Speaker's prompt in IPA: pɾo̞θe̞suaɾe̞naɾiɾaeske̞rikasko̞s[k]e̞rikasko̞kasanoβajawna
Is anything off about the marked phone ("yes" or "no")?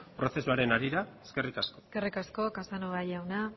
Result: no